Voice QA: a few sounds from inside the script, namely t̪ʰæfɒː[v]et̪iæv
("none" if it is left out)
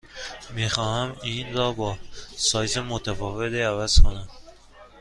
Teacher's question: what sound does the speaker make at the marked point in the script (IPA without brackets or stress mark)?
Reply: v